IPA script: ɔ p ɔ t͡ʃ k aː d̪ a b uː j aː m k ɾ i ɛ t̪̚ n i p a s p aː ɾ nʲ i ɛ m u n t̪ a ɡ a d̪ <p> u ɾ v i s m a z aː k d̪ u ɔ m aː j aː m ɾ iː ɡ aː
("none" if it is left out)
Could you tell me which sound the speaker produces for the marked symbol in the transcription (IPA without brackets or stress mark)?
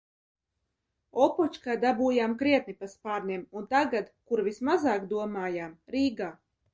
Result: k